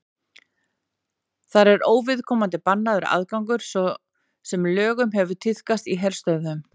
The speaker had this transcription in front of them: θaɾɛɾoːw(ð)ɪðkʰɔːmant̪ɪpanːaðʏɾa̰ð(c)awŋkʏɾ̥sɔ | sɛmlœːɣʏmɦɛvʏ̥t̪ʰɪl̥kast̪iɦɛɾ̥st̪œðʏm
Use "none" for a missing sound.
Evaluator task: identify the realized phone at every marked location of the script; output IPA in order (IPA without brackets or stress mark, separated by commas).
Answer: v, k